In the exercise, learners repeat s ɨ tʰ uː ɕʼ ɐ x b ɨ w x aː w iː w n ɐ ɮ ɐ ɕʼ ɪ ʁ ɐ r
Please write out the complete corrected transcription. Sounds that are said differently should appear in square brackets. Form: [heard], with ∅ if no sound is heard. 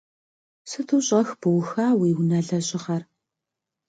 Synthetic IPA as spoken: s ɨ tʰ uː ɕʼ ɐ x b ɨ w x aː w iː w n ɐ ɮ ɐ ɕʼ ɪ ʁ ɐ r